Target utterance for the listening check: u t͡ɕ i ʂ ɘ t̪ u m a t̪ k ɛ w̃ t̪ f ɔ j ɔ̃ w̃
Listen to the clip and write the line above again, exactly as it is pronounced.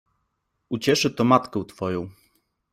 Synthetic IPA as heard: u t͡ɕ ɛ ʂ ɘ t̪ ɔ m a t̪ k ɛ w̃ t̪ f ɔ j ɔ̃ w̃